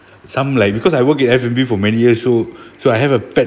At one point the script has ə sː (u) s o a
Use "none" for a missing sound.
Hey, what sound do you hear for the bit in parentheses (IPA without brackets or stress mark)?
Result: o